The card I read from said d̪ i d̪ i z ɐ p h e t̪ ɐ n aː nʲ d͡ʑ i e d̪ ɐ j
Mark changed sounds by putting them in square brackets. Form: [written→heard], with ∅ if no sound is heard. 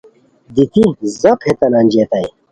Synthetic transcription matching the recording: d̪ i [d̪→t̪] i z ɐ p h e t̪ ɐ n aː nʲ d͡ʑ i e [d̪→t̪] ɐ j